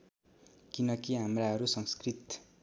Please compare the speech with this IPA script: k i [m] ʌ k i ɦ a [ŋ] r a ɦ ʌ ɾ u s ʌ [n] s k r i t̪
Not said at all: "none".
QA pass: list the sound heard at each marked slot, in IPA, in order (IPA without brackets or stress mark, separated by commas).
n, m, ŋ